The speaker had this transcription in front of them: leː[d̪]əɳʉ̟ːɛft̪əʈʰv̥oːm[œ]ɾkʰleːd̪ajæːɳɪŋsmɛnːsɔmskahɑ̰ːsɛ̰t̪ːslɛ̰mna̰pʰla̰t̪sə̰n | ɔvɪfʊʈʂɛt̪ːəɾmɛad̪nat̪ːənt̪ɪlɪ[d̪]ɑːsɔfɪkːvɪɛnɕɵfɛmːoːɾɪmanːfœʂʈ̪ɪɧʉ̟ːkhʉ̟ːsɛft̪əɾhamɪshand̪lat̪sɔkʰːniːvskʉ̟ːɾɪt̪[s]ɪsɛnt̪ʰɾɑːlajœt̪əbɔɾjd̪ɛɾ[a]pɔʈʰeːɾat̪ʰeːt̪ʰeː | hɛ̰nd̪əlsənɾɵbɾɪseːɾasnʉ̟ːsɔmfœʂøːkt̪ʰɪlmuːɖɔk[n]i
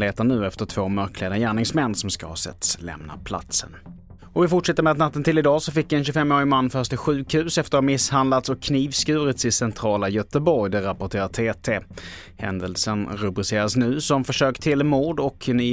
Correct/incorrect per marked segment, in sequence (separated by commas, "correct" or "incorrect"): incorrect, correct, correct, correct, correct, correct